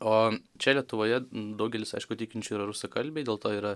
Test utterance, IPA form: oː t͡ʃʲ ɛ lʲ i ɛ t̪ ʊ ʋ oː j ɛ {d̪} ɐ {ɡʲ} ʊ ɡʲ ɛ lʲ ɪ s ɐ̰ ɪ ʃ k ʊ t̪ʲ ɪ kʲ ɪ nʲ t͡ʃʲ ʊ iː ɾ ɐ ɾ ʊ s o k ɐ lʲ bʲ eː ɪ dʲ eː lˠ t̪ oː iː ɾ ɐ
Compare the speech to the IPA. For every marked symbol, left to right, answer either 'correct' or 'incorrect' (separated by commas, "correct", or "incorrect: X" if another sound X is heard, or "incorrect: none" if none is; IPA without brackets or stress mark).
correct, incorrect: none